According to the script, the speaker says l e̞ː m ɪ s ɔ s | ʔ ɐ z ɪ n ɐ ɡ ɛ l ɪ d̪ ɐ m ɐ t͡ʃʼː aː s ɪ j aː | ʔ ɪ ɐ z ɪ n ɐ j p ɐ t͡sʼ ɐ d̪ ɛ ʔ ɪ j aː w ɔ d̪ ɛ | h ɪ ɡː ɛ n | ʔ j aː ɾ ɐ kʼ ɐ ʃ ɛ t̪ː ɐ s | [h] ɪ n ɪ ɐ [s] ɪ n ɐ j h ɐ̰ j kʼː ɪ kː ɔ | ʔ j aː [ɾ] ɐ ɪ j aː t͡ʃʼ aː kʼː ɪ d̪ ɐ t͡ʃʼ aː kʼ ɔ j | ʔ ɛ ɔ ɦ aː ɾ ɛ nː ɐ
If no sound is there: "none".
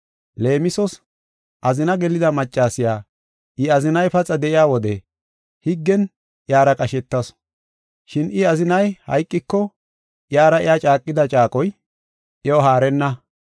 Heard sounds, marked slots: ʃ, z, ɾ

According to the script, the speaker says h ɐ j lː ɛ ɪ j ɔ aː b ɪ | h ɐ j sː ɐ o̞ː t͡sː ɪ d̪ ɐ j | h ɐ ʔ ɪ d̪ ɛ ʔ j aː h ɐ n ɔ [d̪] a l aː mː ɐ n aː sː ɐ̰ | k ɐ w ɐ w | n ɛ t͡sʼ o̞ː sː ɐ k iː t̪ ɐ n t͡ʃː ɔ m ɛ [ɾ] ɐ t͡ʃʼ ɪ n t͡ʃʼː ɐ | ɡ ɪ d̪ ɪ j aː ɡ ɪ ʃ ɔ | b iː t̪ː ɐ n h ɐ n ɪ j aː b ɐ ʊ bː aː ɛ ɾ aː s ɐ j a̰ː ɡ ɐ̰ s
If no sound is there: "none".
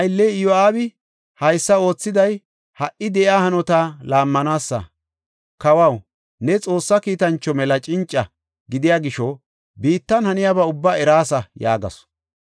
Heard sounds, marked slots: t̪, l

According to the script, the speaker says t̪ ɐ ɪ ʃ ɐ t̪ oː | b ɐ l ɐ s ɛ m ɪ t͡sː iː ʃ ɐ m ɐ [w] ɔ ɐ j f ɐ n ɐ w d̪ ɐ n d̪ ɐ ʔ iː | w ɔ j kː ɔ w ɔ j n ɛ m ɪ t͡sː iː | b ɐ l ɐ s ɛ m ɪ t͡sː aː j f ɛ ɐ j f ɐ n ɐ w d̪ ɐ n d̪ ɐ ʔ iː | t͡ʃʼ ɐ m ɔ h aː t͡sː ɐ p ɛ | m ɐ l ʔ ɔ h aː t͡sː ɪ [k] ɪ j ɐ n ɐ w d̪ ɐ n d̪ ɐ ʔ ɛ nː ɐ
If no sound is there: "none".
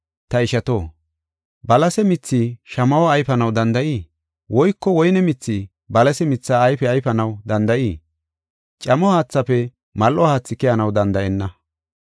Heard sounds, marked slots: w, k

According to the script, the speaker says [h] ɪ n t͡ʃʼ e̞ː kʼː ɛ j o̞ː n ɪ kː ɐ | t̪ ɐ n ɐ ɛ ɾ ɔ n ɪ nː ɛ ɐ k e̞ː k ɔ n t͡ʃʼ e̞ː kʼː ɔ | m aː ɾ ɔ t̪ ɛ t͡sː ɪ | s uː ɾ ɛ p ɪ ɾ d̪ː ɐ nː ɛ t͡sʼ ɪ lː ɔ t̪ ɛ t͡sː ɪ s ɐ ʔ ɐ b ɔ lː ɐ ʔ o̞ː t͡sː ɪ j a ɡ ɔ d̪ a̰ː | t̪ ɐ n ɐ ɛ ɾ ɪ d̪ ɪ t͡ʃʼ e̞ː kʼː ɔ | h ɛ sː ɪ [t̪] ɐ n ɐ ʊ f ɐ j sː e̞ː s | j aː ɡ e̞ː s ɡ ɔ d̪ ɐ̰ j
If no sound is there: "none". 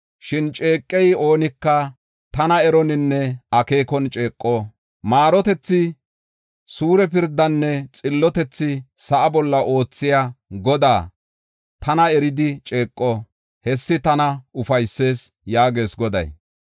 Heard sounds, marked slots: ʃ, t̪

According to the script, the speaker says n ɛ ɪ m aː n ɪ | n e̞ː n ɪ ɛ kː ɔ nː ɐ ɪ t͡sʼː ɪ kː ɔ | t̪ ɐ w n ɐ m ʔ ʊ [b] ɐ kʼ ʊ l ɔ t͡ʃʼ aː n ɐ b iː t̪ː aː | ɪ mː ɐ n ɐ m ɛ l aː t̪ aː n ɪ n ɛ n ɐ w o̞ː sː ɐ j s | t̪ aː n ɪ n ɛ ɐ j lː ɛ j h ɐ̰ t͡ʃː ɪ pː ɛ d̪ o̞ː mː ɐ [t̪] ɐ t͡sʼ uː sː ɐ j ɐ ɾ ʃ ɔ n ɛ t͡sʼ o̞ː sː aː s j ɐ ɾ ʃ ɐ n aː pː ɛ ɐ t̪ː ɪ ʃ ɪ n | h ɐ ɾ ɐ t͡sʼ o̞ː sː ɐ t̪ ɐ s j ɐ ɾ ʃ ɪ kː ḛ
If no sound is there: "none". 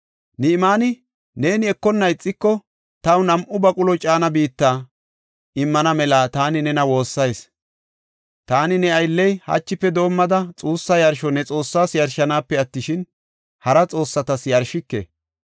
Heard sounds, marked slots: b, d̪

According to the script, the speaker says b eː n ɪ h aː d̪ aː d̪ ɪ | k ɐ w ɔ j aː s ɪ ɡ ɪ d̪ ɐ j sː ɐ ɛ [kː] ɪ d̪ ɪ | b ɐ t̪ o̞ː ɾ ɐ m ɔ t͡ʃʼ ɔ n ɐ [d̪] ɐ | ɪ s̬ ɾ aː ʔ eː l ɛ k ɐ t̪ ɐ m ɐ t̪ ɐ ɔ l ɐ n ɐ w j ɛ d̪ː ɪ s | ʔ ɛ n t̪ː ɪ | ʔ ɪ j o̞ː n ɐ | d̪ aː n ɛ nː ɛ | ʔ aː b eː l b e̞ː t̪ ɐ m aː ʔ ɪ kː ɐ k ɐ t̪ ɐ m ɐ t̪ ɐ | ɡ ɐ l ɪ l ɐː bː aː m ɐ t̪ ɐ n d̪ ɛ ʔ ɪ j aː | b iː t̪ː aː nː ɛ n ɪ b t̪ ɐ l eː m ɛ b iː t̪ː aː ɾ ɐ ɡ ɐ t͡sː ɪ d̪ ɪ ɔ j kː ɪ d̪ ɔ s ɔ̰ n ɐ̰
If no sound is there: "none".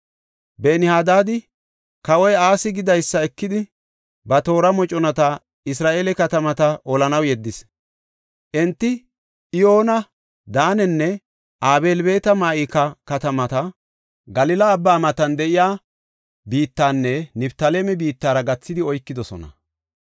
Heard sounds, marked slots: kː, t̪

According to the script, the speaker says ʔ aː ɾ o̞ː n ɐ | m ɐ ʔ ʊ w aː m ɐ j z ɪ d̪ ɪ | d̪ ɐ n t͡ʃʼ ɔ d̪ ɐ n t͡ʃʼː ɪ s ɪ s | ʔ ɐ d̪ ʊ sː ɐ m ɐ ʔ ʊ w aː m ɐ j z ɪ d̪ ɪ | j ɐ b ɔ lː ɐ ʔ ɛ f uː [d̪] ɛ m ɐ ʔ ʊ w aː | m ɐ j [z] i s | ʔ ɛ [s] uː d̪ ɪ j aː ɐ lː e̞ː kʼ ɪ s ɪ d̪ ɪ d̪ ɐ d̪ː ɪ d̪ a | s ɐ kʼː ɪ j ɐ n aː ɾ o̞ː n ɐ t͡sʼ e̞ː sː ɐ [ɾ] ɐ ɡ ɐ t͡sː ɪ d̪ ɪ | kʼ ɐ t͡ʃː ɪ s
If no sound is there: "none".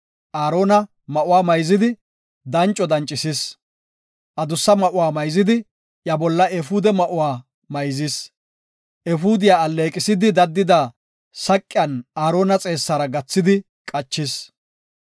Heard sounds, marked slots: d̪, z, f, ɾ

